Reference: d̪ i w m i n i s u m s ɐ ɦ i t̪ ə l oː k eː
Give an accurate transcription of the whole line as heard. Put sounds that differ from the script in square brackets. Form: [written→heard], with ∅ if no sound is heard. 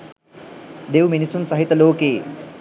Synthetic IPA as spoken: d̪ [i→e] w m i n i s u [m→n] s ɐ ɦ i t̪ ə l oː k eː